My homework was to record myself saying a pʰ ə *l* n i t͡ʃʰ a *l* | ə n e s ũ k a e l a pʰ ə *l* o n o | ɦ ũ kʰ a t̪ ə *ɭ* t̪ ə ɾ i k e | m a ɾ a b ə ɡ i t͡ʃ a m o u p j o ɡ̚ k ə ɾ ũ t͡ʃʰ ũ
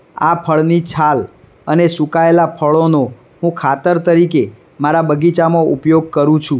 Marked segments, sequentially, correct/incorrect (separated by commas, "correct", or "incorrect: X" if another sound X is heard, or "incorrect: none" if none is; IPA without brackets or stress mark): incorrect: ɭ, correct, incorrect: ɭ, incorrect: ɾ